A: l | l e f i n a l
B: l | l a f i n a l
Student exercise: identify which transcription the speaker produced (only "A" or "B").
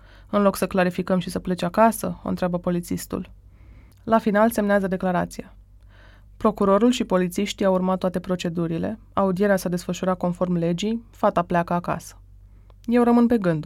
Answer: B